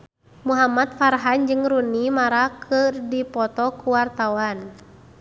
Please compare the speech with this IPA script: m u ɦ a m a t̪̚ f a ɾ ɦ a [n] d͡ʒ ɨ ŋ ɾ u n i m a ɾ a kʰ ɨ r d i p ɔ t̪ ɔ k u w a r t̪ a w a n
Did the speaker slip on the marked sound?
no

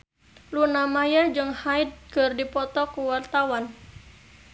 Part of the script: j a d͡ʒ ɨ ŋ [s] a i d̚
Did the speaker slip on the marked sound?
yes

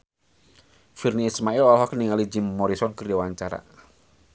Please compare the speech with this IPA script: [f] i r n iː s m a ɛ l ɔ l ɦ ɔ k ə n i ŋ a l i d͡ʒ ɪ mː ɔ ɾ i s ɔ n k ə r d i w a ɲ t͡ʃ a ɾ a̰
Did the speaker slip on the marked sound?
no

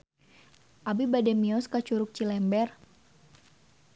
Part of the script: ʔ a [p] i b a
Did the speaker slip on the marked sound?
yes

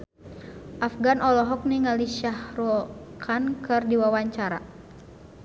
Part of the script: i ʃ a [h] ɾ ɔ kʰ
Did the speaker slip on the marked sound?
no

